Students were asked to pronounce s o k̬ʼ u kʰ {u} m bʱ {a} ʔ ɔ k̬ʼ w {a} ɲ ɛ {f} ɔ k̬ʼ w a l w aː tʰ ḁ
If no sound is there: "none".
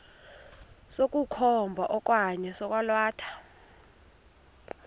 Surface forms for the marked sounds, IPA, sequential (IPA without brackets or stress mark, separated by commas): ɔ, a, a, s